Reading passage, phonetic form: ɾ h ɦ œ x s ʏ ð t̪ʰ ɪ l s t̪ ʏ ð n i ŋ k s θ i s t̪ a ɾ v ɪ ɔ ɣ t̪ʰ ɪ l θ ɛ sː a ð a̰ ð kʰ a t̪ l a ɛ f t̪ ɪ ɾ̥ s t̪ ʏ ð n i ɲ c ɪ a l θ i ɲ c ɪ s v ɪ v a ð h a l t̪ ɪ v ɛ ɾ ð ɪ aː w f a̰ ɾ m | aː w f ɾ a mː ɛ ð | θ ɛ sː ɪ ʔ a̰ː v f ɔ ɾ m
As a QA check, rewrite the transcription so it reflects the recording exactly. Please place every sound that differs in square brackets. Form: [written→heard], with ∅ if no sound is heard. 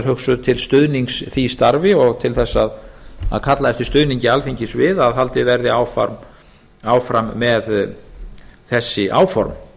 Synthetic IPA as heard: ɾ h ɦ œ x s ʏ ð t̪ʰ ɪ l s t̪ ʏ ð n i ŋ k s θ i s t̪ a ɾ v ɪ ɔ ɣ t̪ʰ ɪ l θ ɛ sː a ð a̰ ð kʰ a t̪ l a ɛ f t̪ ɪ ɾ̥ s t̪ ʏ ð n i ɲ c ɪ a l [θ→f] i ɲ c ɪ s v ɪ [v→ð] a ð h a l t̪ ɪ v ɛ ɾ ð ɪ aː w f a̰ ɾ m | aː w f ɾ a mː ɛ ð | θ ɛ sː ɪ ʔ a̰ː [v→w] f ɔ ɾ m